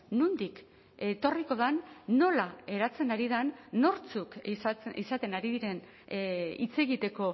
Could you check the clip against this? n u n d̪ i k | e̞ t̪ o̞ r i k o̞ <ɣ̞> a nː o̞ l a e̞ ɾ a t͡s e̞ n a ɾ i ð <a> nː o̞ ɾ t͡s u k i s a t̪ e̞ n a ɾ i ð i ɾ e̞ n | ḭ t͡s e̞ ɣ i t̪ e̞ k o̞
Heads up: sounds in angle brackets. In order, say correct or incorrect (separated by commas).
incorrect, correct